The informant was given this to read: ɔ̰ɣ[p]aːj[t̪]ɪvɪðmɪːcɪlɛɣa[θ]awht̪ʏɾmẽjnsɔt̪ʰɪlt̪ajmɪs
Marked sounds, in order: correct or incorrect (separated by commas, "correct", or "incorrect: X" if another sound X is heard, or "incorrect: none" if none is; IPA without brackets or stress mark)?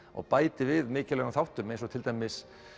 correct, correct, correct